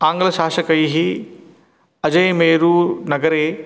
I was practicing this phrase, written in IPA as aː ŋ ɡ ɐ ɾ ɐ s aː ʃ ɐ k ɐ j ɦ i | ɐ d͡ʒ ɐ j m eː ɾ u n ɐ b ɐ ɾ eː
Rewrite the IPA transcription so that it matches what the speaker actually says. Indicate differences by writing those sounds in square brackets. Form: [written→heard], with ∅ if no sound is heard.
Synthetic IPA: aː ŋ ɡ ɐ [ɾ→l] ɐ [s→ʃ] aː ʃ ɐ k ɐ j ɦ i | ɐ d͡ʒ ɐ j m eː ɾ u n ɐ [b→ɡ] ɐ ɾ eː